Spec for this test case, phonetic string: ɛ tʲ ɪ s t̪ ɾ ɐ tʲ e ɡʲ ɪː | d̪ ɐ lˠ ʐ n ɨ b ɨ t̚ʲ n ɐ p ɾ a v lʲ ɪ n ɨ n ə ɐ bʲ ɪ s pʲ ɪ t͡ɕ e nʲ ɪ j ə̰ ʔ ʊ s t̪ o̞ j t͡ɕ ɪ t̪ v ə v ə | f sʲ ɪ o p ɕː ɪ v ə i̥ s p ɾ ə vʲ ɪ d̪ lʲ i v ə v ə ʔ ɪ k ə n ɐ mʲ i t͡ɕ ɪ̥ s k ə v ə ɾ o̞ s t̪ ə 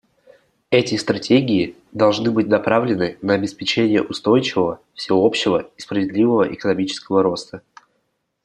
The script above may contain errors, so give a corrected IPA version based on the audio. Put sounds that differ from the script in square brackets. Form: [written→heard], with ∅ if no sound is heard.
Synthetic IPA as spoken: ɛ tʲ ɪ s t̪ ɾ ɐ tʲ e ɡʲ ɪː | d̪ ɐ lˠ ʐ n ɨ b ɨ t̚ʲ n ɐ p ɾ a v lʲ ɪ n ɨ n ə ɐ bʲ ɪ s pʲ ɪ t͡ɕ e nʲ ɪ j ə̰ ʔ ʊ s t̪ o̞ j t͡ɕ ɪ [t̪→∅] v ə v ə | f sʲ ɪ o p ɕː ɪ v ə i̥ s p ɾ ə vʲ ɪ d̪ lʲ i v ə v ə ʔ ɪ k ə n ɐ mʲ i t͡ɕ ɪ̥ s k ə v ə ɾ o̞ s t̪ ə